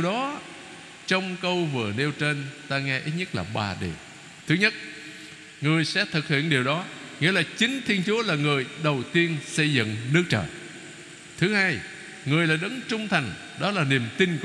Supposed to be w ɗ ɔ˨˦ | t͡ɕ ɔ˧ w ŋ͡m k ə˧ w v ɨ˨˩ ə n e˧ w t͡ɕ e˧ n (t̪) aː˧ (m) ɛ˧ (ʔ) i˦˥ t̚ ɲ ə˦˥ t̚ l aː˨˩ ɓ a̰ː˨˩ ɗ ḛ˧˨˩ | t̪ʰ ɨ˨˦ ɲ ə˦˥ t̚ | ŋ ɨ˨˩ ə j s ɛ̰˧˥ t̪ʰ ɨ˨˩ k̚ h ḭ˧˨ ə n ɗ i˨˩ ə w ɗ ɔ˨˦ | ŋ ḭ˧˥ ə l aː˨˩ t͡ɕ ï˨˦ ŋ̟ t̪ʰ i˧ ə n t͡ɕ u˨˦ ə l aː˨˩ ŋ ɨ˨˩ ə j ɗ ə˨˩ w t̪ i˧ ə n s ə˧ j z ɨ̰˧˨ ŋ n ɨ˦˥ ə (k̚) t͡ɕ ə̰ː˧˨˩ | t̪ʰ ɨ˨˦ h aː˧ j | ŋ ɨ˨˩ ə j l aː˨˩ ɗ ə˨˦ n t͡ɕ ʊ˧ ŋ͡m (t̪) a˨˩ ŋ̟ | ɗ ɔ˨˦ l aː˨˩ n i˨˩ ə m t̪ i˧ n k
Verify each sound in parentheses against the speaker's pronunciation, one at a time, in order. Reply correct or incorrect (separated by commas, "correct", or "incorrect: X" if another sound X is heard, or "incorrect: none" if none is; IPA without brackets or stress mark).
correct, incorrect: ŋ, correct, correct, incorrect: t̪ʰ